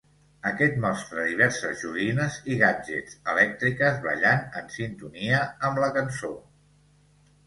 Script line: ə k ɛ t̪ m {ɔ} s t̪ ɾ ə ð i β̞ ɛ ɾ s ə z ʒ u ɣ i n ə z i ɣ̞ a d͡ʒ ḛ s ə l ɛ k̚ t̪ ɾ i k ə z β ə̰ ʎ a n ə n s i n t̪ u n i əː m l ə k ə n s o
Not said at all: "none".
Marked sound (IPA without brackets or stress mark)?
ɔ